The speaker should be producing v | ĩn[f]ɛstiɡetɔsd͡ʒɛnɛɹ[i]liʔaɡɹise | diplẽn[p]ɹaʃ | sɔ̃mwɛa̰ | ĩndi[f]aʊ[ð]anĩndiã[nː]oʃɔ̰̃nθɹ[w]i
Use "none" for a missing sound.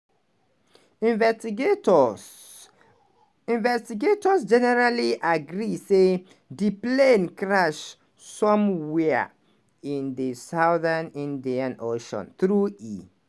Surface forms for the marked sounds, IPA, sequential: v, a, k, s, ð, n, u

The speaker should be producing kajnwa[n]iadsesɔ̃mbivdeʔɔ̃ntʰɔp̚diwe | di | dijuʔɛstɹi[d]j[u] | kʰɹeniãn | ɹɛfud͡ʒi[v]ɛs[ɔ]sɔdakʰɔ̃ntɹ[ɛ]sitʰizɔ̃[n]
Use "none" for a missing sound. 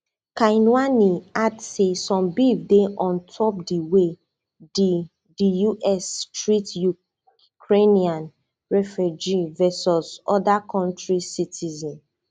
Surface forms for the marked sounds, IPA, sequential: n, t, u, v, ɔ, i, n

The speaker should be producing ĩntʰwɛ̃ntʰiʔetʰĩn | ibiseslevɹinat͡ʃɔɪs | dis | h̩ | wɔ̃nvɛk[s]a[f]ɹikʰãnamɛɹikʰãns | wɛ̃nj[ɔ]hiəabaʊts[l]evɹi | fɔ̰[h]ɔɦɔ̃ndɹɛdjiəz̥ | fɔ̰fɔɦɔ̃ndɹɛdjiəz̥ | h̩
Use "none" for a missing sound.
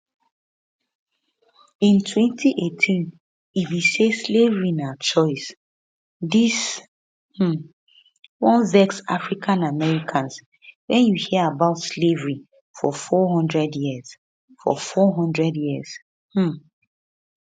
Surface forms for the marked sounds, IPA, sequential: s, f, u, l, f

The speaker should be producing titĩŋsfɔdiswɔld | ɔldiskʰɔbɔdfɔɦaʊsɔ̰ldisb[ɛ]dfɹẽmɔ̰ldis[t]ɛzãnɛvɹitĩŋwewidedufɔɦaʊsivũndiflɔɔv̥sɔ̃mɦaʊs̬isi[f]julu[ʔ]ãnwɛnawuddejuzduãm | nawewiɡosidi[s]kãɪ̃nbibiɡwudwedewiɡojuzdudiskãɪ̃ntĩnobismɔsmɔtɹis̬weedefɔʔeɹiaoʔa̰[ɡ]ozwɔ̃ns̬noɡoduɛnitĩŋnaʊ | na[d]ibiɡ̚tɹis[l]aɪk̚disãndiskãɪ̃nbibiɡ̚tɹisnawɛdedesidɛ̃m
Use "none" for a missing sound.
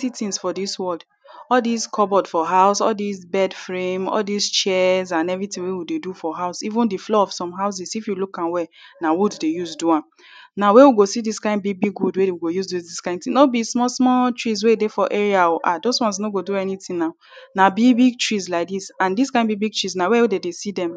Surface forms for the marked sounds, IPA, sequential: ɛ, t͡ʃ, f, k, s, d, b, l

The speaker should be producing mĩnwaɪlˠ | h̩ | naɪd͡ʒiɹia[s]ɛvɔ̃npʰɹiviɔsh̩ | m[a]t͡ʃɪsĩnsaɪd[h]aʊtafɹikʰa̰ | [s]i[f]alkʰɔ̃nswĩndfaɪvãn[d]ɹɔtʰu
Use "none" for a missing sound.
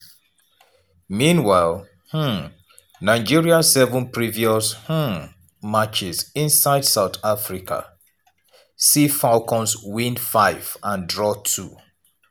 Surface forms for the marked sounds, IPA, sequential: s, a, s, s, f, d

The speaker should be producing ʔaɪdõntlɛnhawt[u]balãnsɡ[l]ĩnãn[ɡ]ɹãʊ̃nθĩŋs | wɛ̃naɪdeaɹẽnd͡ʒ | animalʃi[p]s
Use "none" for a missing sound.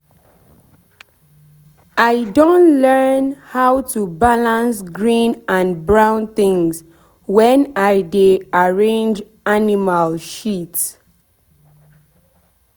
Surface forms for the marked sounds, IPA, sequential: u, ɹ, b, t

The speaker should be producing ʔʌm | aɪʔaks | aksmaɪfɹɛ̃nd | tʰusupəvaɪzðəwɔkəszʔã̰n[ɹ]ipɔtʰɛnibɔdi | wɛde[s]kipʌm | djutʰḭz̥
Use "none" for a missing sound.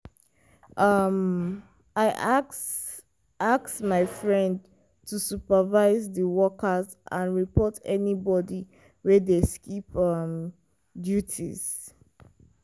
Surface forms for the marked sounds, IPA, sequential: ɹ, s

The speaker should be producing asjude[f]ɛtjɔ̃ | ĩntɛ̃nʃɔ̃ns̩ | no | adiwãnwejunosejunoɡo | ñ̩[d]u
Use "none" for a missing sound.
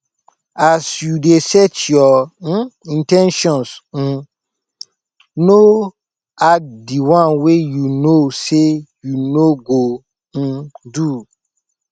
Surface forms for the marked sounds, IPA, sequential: s, d

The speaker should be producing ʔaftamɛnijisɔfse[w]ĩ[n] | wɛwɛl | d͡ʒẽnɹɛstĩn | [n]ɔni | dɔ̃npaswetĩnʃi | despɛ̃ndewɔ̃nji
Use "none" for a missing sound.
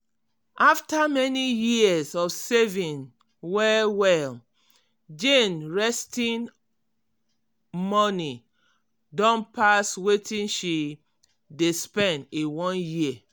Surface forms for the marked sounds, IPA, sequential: v, n, m

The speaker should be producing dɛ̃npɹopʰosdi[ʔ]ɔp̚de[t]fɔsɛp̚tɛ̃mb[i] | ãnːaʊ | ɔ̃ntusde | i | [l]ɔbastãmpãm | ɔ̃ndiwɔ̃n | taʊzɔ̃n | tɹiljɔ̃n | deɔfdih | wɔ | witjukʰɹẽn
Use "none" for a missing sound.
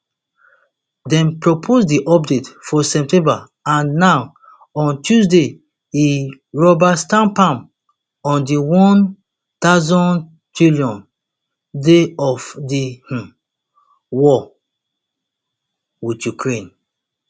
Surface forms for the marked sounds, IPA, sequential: ʔ, t, a, ɹ

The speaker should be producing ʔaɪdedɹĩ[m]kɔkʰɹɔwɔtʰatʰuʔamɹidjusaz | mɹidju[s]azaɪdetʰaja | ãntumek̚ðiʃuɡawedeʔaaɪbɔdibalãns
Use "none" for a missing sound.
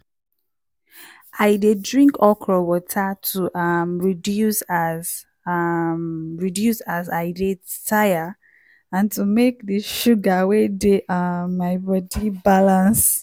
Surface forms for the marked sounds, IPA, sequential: ŋ, s

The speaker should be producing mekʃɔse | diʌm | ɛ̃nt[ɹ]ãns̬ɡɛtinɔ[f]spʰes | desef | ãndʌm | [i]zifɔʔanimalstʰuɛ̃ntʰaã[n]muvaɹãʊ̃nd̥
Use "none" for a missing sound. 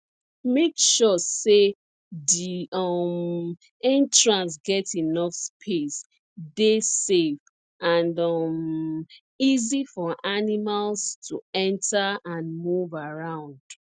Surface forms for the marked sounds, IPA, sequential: ɹ, f, i, n

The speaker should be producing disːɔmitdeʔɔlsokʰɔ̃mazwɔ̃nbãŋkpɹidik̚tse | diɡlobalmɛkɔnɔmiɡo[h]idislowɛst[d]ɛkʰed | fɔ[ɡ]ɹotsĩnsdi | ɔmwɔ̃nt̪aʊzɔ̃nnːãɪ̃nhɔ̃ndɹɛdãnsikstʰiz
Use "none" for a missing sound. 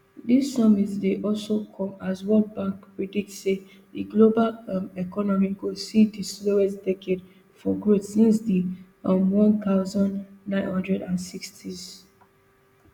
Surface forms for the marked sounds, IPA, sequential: s, d, ɡ

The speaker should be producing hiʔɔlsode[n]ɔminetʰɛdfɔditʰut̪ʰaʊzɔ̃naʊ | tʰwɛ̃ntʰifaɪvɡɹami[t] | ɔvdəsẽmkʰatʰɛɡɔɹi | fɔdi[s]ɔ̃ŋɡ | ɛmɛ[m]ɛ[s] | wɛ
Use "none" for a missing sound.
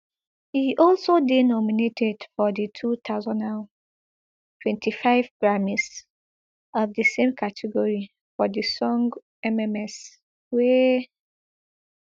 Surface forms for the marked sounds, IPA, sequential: n, s, s, m, s

